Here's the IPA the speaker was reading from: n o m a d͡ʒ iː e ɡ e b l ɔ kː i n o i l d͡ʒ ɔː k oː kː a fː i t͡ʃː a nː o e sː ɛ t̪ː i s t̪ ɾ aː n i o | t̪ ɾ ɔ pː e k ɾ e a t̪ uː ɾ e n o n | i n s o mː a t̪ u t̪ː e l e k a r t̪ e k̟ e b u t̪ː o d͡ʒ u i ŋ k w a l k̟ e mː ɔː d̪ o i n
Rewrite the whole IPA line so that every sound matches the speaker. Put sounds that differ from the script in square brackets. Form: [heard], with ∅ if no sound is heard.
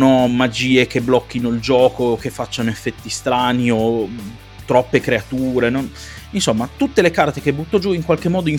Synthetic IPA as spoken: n o m a d͡ʒ iː e [k] e b l ɔ kː i n o i l d͡ʒ ɔː k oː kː [e] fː [a] t͡ʃː a [n] o e [fː] ɛ t̪ː i s t̪ ɾ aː n i o | t̪ ɾ ɔ pː e k ɾ e a t̪ uː ɾ e n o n | i n s o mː a t̪ u t̪ː e l e k a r t̪ e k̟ e b u t̪ː o d͡ʒ u i ŋ k w a l k̟ e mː ɔː d̪ o i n